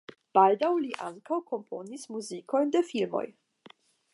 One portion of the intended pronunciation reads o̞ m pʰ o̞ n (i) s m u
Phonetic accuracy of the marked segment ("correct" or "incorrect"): correct